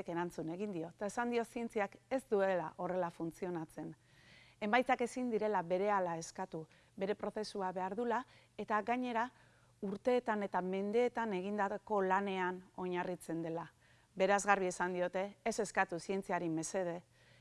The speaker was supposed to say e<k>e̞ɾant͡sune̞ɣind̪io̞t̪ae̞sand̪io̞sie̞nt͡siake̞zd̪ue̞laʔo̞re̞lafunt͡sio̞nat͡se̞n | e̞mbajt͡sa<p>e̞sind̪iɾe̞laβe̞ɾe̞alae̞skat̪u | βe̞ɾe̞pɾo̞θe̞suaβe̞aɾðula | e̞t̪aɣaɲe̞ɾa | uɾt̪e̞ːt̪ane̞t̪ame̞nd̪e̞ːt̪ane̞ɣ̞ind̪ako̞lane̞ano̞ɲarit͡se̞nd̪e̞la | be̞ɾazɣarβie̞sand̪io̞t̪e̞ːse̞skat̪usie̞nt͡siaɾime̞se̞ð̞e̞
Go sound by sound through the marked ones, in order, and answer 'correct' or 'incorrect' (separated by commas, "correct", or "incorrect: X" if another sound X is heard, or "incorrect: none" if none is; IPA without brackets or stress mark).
correct, incorrect: k